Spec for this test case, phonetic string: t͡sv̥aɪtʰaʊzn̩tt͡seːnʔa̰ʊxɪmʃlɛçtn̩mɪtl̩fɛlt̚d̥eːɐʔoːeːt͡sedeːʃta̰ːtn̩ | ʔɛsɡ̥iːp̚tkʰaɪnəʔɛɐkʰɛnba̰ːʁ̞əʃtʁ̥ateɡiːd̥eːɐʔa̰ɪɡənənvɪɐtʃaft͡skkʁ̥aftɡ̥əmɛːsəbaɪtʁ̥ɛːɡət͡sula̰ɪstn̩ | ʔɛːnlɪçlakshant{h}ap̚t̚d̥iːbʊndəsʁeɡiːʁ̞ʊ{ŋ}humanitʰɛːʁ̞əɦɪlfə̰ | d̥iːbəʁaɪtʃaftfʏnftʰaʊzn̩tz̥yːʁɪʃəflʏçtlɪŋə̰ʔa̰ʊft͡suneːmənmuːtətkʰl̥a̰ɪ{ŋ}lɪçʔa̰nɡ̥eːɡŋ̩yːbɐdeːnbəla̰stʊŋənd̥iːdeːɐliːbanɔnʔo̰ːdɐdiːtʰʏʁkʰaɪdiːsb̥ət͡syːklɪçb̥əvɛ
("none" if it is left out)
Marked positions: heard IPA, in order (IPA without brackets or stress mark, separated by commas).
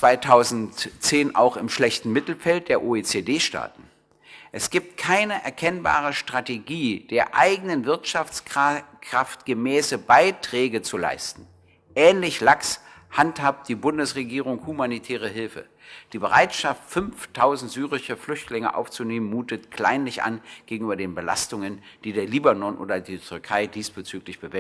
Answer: h, ŋ, n